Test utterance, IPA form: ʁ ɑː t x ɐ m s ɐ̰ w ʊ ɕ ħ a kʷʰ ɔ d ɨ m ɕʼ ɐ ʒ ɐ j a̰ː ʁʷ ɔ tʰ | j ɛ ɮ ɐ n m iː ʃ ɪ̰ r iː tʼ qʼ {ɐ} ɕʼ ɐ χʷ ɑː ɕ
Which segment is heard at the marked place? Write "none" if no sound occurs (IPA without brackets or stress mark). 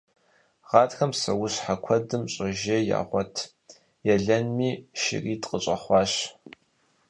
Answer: ə